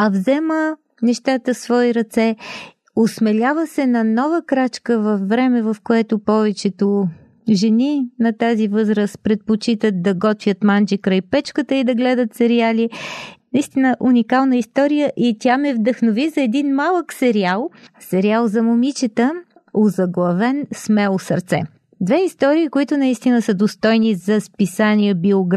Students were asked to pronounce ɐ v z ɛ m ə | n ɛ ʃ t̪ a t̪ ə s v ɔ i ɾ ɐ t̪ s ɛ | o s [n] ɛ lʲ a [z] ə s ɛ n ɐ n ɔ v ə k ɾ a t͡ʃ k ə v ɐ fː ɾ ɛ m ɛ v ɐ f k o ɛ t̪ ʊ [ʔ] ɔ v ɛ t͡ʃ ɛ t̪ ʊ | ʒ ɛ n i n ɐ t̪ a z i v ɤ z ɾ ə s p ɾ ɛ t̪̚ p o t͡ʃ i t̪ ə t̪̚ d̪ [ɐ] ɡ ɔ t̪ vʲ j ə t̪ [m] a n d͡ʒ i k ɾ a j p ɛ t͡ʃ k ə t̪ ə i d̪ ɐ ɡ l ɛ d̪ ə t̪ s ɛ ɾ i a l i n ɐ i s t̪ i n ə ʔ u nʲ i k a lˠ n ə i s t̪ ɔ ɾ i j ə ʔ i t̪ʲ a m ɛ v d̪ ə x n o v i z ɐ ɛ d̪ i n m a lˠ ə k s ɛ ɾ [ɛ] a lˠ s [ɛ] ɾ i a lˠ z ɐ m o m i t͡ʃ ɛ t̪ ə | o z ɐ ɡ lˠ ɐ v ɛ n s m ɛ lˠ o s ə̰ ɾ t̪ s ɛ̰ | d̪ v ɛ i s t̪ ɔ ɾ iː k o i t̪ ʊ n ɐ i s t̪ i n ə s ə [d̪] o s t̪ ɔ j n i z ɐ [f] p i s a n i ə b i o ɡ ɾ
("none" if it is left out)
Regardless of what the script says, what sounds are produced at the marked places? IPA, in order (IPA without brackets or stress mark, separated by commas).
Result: m, v, p, ɐ, m, i, ɛ, d̪, s